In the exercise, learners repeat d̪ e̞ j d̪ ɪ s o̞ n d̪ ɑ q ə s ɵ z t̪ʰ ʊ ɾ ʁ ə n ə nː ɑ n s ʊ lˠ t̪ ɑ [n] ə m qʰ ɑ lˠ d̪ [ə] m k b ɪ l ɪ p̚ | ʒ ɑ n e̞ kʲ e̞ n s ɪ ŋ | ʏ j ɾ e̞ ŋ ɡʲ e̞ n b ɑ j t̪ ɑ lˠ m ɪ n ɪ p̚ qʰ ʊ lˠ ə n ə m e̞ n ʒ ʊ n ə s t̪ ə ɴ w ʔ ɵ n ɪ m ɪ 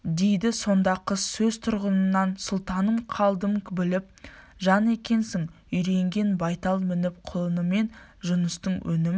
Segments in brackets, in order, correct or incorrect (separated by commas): correct, correct